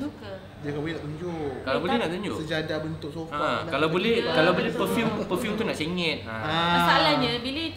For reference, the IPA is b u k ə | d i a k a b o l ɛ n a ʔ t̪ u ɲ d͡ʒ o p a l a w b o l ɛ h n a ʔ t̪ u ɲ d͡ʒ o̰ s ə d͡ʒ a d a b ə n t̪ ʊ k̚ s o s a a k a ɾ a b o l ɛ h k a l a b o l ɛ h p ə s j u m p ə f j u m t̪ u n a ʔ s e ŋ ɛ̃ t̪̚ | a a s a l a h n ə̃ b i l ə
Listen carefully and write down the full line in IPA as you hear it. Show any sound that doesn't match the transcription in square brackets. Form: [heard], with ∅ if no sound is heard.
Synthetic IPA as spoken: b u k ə | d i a k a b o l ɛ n a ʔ t̪ u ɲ d͡ʒ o [k] a l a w b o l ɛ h n a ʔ t̪ u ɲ d͡ʒ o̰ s ə d͡ʒ a d a b ə n t̪ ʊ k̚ s o [f] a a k a [l] a b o l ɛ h k a l a b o l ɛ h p ə [f] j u m p ə f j u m t̪ u n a ʔ s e ŋ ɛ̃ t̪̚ | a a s a l a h [ɲ] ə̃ b i l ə